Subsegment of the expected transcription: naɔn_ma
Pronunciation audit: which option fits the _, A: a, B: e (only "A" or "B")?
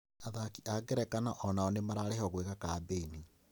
B